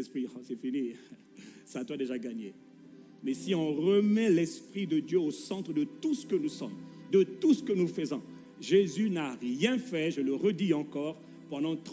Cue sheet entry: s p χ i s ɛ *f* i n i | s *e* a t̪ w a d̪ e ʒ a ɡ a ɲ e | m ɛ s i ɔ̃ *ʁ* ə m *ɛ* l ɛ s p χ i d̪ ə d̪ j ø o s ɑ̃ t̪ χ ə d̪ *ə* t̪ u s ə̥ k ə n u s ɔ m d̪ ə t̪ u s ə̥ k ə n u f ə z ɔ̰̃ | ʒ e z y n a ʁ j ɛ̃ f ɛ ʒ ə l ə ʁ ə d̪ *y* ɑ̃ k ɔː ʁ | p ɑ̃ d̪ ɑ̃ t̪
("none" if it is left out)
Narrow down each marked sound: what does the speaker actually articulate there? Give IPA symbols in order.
f, a, ʁ, ɛ, ə, i

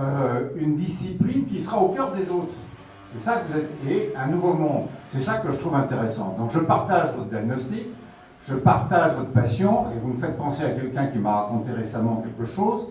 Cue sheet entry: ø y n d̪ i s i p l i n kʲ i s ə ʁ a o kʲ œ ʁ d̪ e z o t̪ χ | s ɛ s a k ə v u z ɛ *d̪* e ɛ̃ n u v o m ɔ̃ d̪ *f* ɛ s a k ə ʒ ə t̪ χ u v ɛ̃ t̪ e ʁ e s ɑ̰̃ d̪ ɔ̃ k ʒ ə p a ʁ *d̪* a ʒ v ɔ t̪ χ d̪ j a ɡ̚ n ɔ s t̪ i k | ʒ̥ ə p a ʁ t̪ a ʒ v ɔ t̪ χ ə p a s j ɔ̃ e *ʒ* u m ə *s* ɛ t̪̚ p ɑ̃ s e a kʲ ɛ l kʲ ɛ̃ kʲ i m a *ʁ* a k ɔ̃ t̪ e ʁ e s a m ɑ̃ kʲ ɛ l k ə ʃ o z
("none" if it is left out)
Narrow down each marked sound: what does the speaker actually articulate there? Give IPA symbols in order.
t̪, s, t̪, v, f, ʁ

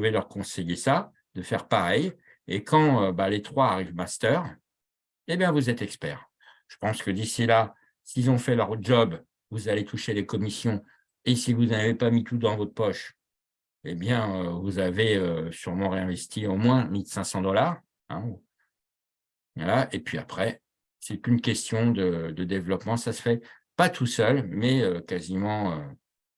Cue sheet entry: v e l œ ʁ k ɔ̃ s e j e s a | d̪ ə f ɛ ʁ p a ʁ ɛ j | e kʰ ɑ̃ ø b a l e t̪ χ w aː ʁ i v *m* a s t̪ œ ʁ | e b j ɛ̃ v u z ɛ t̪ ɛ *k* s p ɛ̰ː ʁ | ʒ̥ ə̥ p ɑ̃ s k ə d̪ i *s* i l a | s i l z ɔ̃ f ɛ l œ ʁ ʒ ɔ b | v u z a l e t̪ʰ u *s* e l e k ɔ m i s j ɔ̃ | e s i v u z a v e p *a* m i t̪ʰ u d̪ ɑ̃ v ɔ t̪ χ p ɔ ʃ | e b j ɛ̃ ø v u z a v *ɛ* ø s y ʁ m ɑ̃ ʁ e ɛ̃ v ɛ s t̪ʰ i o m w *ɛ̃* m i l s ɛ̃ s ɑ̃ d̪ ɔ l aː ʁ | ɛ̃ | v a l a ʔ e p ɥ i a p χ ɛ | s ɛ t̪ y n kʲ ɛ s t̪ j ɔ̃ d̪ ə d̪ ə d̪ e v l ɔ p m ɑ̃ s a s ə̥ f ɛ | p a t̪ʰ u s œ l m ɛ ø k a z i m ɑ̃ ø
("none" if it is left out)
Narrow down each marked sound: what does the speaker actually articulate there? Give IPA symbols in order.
m, k, s, ʃ, a, e, ɛ̃

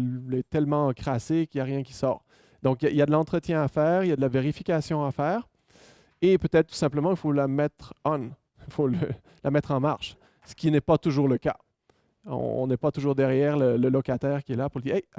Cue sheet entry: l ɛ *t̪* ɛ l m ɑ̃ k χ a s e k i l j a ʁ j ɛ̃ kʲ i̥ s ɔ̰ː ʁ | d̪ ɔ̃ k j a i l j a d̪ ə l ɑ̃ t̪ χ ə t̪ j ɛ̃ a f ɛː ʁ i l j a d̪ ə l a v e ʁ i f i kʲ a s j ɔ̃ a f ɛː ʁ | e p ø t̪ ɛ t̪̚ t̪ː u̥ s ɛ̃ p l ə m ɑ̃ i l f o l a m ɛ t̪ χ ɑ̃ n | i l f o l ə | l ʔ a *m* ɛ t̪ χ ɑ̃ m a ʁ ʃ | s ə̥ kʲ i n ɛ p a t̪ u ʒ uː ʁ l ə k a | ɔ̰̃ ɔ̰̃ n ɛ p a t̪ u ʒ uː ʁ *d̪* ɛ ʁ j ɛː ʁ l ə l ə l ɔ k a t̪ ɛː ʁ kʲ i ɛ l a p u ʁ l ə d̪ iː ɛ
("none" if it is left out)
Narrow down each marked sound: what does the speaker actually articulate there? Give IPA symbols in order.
t̪, m, d̪

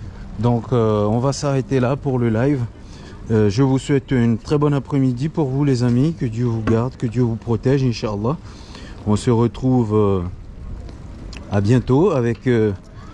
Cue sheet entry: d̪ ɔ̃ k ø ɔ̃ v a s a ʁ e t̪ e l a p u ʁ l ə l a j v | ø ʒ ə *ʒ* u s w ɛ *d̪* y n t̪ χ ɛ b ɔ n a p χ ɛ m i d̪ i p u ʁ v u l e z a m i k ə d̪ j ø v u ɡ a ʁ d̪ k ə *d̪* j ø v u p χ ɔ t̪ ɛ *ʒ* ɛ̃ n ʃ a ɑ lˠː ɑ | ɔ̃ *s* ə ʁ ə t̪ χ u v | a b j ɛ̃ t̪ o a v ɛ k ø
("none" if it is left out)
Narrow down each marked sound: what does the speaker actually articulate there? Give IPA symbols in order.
v, t̪, d̪, ʒ, s

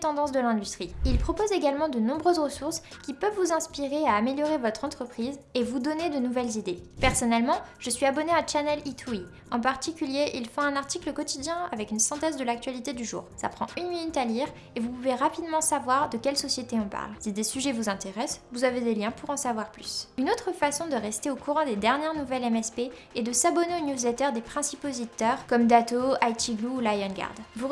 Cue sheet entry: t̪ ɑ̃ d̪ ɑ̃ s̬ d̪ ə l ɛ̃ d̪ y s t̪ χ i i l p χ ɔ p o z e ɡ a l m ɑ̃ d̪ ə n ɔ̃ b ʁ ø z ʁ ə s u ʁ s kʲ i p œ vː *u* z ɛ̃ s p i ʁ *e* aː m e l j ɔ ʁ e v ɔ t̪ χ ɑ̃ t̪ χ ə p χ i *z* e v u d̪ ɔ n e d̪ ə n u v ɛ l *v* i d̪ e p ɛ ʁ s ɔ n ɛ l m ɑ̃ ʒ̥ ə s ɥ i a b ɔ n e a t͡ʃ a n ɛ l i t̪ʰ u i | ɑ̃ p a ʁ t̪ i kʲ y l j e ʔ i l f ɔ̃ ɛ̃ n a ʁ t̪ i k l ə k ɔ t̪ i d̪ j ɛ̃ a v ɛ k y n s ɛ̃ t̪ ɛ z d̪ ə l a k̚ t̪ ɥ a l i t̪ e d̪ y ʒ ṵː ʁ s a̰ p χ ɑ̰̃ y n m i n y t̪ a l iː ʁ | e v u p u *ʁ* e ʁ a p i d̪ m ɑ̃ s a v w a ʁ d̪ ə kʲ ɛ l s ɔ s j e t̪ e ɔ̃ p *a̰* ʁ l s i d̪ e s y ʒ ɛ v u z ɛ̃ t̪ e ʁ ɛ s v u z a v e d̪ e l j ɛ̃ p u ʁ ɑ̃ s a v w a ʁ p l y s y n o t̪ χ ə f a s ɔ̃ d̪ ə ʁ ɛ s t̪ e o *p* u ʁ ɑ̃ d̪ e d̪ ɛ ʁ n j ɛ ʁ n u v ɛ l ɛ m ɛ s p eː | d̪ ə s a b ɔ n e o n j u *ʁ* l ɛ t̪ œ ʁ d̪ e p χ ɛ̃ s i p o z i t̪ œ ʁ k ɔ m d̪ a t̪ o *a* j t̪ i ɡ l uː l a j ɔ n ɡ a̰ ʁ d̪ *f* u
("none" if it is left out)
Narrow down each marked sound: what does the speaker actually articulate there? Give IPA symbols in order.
u, e, z, z, v, a̰, k, z, a, v

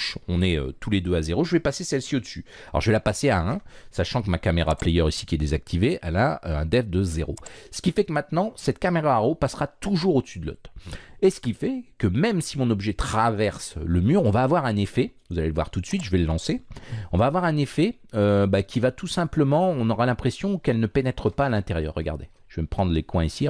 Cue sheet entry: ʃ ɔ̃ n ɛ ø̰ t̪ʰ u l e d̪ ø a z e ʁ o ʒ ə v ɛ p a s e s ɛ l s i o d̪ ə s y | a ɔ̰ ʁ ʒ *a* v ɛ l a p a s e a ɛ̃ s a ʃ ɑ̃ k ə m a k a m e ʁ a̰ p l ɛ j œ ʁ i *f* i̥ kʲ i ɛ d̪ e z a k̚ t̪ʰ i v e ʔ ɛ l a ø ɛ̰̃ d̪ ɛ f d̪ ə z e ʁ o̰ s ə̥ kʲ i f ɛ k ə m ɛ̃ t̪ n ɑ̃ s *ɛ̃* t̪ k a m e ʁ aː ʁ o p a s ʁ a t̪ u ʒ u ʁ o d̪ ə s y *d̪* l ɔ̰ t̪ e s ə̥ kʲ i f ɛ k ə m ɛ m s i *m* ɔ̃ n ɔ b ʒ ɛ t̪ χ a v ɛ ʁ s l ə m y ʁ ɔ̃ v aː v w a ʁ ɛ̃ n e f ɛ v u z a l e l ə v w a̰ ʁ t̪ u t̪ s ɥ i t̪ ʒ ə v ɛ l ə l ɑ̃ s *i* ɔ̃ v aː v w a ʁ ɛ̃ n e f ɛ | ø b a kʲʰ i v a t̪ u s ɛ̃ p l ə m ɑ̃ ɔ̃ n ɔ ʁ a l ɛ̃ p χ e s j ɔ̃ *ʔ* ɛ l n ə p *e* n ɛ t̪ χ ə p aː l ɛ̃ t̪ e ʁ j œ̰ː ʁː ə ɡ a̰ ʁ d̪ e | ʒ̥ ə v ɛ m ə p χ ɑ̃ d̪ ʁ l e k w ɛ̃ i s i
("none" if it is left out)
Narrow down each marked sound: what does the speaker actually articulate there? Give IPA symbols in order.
ə, s, ɛ, d̪, m, e, k, e

